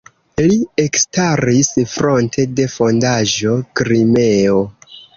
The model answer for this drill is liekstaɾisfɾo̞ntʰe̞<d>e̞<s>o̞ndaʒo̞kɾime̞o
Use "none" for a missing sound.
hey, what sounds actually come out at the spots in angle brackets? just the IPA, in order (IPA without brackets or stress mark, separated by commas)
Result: d, f